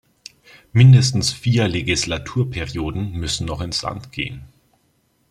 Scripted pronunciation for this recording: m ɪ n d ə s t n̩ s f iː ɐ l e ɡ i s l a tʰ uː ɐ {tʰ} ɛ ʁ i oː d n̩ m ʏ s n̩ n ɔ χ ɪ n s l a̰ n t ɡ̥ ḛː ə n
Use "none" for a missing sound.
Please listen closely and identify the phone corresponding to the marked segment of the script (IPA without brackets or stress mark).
pʰ